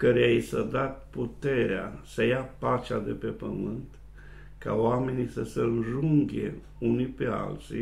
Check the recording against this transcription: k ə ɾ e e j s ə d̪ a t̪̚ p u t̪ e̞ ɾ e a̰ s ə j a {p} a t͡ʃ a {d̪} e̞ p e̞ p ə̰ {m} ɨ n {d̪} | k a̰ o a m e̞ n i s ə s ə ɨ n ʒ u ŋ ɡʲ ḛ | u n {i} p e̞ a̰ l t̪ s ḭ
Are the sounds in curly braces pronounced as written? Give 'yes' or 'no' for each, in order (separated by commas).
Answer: yes, yes, yes, no, yes